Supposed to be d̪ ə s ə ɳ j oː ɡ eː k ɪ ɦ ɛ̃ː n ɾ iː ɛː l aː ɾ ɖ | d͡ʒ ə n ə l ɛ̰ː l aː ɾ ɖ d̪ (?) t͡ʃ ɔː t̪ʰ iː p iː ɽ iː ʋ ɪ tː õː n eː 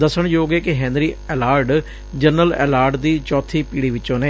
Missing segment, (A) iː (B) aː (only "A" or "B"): A